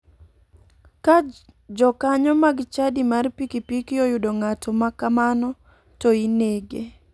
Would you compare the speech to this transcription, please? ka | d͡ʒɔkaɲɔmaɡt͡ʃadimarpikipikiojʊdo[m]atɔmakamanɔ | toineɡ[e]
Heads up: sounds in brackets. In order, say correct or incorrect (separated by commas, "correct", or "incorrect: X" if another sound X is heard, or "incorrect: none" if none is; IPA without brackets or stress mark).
incorrect: ŋ, correct